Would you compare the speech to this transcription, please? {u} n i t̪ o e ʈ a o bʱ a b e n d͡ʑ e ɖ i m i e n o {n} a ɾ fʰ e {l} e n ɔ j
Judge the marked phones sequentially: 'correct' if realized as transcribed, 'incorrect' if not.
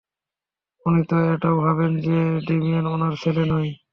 correct, correct, correct

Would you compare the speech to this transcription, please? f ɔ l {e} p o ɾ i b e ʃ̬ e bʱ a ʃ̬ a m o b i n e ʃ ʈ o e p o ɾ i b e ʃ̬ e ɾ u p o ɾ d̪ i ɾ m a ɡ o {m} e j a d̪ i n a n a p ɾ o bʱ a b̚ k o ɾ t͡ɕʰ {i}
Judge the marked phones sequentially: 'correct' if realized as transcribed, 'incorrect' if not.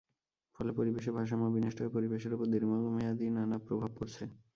correct, correct, incorrect: e

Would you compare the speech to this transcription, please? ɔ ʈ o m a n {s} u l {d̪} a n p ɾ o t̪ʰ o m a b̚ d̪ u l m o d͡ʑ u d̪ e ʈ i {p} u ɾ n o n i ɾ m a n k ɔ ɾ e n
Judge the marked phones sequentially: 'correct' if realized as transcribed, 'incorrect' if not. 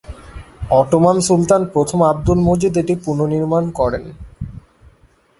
correct, incorrect: t̪, correct

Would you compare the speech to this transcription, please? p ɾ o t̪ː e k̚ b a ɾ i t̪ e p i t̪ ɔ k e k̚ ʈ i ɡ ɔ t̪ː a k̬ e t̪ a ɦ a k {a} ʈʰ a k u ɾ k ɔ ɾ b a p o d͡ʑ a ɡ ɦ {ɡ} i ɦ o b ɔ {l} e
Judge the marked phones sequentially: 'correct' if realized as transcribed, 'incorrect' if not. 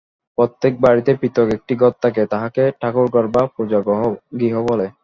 incorrect: e, correct, correct

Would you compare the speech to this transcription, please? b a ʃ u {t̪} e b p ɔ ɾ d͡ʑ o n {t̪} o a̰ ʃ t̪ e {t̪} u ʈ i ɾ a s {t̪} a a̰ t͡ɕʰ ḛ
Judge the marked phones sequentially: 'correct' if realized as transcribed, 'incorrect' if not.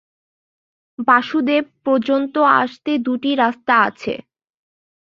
incorrect: d̪, correct, incorrect: d̪, correct

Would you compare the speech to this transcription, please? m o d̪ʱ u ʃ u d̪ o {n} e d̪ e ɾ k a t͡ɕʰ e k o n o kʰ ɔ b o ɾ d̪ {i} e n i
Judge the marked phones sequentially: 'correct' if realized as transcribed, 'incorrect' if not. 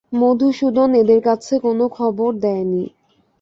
correct, incorrect: ɛ

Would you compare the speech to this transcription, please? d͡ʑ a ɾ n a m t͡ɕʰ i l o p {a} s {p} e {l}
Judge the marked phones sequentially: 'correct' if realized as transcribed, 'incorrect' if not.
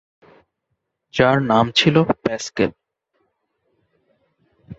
incorrect: ɛ, incorrect: k, correct

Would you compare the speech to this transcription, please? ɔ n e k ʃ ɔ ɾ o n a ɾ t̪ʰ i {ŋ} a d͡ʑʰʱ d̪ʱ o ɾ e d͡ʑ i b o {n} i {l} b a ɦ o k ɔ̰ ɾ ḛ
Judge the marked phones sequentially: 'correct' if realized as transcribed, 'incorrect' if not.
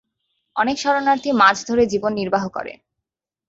incorrect: m, incorrect: nː, incorrect: ɾ

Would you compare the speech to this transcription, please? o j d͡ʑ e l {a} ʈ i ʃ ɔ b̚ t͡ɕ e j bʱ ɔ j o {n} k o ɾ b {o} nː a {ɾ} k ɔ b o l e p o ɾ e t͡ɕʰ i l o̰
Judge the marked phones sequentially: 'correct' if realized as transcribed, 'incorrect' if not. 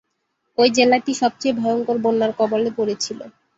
correct, incorrect: ŋ, correct, correct

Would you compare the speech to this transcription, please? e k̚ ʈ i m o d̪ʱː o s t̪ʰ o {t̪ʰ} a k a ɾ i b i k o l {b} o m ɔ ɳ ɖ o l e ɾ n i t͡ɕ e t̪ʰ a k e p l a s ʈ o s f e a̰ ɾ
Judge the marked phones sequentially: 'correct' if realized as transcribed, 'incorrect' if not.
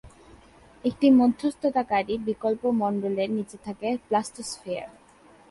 incorrect: t̪, incorrect: p

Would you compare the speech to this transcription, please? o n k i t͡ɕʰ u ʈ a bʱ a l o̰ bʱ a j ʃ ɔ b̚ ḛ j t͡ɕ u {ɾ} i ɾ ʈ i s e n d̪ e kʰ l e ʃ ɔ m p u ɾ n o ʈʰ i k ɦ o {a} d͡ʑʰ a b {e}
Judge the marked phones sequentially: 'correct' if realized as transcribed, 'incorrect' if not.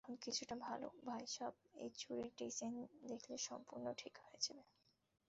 correct, incorrect: e, correct

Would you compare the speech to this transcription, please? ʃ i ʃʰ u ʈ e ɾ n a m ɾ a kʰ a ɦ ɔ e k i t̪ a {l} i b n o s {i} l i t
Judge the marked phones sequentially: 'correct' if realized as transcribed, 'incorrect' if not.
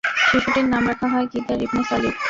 incorrect: ɾ, incorrect: a

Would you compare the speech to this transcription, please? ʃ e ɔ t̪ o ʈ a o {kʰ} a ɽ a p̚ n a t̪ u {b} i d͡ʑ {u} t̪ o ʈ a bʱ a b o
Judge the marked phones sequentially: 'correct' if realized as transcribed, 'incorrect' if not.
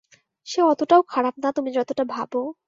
correct, incorrect: m, incorrect: ɔ

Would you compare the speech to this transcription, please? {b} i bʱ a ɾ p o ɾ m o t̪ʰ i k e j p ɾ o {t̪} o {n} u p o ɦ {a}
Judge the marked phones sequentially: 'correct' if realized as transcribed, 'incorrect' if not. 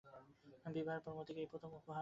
correct, incorrect: t̪ʰ, incorrect: m, correct

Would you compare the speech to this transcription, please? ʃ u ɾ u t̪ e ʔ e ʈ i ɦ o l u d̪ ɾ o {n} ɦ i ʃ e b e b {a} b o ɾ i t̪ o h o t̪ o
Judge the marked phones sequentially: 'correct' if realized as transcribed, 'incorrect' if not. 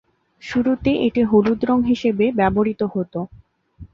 incorrect: ŋ, incorrect: ɛ

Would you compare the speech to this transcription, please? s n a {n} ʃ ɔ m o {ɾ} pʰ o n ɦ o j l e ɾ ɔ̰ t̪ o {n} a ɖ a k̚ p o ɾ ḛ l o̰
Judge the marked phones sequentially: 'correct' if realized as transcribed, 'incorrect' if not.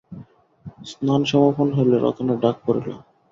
correct, correct, correct

